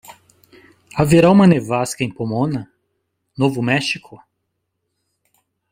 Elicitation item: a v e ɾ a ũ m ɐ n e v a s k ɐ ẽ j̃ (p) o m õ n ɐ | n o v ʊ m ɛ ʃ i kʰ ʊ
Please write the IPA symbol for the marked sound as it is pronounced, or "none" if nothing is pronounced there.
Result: p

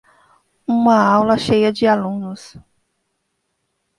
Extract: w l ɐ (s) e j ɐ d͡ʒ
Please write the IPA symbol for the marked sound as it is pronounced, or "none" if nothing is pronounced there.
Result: ʃ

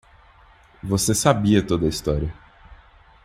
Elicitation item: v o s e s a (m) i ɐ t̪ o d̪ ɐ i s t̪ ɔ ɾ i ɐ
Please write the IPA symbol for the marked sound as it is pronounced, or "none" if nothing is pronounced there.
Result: b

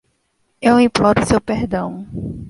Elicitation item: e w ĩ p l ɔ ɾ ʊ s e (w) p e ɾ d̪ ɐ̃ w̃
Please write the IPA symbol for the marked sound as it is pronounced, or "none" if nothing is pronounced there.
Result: w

